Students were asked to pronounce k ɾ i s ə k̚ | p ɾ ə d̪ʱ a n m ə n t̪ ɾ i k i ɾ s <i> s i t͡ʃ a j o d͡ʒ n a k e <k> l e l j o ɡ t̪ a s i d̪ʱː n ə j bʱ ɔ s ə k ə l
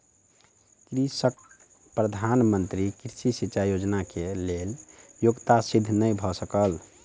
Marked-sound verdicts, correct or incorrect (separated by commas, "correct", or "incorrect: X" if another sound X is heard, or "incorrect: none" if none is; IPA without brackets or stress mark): correct, incorrect: none